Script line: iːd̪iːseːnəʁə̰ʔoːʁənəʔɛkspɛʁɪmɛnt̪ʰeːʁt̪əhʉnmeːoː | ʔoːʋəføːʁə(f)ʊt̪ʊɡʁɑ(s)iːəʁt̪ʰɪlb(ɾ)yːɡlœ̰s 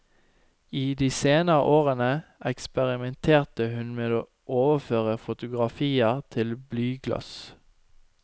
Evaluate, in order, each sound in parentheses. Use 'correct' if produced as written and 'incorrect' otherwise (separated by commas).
correct, incorrect, incorrect